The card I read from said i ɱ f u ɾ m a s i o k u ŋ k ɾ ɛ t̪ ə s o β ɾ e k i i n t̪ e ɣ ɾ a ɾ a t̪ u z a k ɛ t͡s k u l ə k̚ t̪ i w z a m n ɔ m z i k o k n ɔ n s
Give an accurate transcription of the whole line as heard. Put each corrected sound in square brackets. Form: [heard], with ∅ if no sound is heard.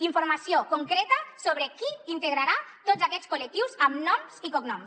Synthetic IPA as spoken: i ɱ f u ɾ m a s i o k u ŋ k ɾ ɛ t̪ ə s o β ɾ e k i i n t̪ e ɣ ɾ a ɾ a t̪ [o] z a k ɛ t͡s k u l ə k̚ t̪ i w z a m n ɔ m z i k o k n ɔ [m] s